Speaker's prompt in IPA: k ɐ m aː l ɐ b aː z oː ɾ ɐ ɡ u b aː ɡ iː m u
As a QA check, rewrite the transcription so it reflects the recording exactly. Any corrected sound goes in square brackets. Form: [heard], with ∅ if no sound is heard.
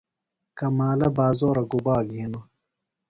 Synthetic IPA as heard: k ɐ m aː l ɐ b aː z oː ɾ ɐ ɡ u b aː ɡ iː [n] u

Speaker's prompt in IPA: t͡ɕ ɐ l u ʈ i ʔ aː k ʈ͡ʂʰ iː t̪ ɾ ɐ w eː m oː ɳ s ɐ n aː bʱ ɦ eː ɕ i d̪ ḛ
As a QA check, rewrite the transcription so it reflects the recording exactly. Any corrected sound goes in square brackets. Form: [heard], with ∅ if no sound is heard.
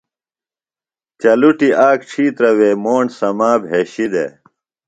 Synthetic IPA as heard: t͡ɕ ɐ l u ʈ i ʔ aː k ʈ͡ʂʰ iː t̪ ɾ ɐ w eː m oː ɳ s ɐ [m] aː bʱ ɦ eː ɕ i d̪ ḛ

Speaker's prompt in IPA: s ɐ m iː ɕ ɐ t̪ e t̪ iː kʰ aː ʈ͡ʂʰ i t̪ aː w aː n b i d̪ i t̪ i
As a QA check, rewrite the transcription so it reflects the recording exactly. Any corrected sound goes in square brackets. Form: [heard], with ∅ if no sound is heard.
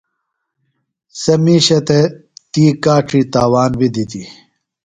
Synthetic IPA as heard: s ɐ m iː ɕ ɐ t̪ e t̪ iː [k] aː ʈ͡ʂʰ i t̪ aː w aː n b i d̪ i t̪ i

